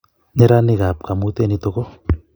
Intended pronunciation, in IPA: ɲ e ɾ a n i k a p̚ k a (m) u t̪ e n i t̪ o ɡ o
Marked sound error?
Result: no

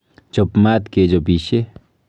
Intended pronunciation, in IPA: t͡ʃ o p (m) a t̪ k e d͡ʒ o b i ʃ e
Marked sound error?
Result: no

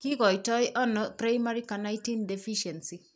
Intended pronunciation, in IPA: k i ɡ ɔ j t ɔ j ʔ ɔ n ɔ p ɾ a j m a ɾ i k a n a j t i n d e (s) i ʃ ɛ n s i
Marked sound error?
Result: yes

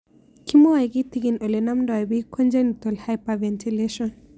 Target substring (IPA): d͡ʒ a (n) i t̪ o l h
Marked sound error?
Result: no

